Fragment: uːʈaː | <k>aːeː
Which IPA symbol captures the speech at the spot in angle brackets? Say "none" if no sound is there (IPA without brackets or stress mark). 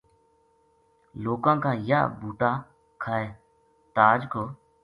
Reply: kʰ